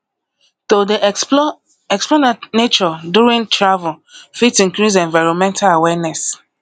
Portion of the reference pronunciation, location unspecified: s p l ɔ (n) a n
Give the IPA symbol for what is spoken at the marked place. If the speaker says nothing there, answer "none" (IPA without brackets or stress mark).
n